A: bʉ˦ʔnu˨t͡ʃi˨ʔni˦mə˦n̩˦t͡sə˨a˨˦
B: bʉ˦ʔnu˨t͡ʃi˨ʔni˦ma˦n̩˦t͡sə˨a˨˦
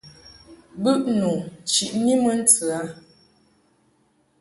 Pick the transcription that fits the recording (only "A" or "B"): A